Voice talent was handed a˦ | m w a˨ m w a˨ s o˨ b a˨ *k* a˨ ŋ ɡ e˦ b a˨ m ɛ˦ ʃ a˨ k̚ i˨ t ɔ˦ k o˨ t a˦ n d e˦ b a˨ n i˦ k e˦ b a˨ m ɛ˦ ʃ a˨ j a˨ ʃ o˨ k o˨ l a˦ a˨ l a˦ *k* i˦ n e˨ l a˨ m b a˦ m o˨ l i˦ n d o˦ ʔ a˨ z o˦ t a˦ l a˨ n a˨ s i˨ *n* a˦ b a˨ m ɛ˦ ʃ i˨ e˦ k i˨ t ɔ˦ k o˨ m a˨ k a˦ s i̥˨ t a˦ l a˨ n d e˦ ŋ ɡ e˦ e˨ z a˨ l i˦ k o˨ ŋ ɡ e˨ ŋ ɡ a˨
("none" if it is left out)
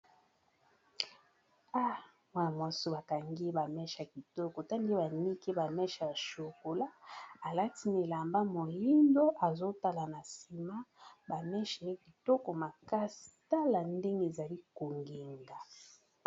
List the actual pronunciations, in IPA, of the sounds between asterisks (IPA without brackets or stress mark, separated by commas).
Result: k, t, m